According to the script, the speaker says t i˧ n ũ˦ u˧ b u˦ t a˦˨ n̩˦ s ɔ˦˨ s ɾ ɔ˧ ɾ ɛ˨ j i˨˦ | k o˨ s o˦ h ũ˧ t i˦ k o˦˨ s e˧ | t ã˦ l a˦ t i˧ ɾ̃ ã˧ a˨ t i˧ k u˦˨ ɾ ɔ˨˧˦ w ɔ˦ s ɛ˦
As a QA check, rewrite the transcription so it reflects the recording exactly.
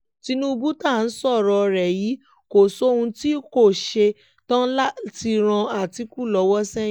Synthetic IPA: t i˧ n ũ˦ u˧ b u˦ t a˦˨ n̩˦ s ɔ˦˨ ɾ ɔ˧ ɾ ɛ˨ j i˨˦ | k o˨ s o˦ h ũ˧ t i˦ k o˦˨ ʃ e˧ | t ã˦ l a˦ t i˧ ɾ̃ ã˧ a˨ t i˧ k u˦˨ l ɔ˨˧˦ w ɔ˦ s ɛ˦

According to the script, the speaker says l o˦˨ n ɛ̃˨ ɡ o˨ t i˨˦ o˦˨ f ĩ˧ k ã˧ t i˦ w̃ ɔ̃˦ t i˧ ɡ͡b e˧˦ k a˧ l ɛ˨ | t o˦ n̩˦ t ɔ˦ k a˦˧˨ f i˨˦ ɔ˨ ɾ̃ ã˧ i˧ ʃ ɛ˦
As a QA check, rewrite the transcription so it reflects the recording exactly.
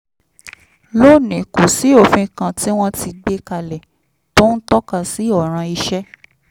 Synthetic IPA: l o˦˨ n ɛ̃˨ k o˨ s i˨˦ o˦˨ f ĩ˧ k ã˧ t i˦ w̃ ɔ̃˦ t i˧ ɡ͡b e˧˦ k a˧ l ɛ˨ | t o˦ n̩˦ t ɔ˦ k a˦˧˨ s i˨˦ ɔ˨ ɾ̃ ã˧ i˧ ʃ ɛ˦

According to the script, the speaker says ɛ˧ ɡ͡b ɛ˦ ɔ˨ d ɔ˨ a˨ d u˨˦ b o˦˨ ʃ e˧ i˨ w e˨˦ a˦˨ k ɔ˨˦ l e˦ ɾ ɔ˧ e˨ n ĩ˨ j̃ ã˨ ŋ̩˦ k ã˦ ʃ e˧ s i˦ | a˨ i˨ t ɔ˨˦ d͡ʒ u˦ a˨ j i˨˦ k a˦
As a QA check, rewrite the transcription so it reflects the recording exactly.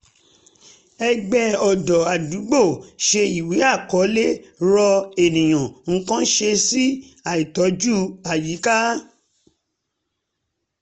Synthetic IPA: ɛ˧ ɡ͡b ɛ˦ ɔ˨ d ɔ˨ a˨ d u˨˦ ɡ͡b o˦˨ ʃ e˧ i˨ w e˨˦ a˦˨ k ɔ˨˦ l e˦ ɾ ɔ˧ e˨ n ĩ˨ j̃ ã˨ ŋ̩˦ k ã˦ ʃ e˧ s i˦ | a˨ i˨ t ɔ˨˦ d͡ʒ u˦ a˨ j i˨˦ k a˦

